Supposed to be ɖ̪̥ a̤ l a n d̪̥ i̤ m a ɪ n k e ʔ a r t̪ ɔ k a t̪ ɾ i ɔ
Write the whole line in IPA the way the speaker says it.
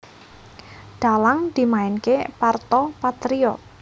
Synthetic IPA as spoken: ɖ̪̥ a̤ l a ŋ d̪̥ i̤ m a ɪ n k e p a r t̪ ɔ p a t̪ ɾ i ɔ